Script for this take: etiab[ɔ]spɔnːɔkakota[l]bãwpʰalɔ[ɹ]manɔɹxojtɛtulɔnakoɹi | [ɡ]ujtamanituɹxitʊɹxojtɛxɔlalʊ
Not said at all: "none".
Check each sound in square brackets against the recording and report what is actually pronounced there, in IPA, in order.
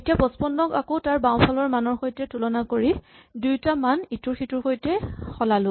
ɔ, ɹ, ɹ, d

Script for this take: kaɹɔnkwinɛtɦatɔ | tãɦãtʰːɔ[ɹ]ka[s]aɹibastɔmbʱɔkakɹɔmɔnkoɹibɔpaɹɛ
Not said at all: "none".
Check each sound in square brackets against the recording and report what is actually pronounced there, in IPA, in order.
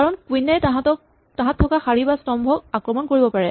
none, x

